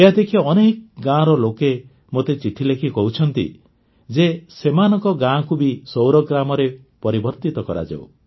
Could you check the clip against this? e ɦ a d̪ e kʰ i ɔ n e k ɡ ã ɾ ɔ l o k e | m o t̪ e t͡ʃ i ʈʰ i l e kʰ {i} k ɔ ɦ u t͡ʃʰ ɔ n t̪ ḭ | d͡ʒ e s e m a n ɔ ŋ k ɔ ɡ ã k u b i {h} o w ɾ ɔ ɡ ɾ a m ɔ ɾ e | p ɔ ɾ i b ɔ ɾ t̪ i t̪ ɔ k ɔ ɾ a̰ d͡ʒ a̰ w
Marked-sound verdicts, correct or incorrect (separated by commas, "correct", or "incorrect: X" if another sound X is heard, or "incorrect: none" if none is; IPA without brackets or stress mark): correct, incorrect: s